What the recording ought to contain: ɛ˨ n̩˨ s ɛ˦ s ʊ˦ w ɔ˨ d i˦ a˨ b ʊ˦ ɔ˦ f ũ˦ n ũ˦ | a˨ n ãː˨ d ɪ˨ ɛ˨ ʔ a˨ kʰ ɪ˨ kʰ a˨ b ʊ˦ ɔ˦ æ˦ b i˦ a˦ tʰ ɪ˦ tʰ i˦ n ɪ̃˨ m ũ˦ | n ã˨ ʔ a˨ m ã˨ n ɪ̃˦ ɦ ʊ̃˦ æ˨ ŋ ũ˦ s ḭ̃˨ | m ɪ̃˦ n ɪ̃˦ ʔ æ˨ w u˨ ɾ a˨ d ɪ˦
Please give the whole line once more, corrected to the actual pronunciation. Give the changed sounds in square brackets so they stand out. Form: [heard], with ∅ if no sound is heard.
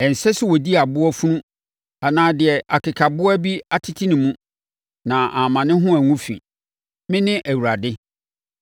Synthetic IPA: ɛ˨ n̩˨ s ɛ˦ s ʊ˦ w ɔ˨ d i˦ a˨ b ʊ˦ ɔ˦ f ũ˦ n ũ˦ | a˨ n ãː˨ d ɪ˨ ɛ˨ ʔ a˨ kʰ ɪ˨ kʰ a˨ b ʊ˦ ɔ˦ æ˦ b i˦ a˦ tʰ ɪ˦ tʰ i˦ n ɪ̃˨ m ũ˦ | n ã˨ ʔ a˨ m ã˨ n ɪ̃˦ ɦ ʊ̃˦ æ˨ ŋ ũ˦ [f] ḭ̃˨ | m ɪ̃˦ n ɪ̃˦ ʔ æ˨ w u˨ ɾ a˨ d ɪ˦